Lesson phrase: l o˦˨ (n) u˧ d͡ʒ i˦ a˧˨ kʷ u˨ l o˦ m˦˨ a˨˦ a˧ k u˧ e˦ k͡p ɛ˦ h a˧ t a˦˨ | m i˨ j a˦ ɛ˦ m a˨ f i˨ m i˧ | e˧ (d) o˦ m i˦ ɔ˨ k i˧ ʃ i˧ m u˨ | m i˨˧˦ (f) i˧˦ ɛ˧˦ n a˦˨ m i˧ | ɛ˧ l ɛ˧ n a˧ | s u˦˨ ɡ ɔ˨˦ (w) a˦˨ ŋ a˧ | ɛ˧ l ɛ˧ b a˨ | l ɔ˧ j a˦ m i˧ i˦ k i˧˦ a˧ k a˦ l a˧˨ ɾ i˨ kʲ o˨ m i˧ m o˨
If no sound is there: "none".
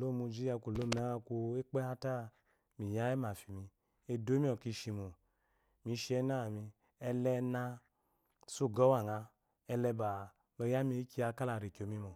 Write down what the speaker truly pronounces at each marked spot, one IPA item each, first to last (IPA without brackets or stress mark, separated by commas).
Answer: m, d, ʃ, w